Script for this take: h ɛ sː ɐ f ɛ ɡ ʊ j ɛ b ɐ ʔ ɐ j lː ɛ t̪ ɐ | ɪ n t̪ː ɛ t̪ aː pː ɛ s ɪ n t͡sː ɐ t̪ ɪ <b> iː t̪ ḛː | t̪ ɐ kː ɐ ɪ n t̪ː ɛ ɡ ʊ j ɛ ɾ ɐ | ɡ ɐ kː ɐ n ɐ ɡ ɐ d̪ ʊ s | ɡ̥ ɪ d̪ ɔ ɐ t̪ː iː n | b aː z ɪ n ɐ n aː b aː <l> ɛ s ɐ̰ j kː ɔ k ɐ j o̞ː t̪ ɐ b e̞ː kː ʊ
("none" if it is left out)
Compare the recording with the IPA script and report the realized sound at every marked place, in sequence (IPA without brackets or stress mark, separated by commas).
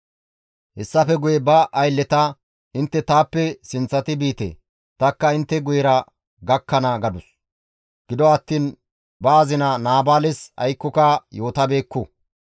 b, l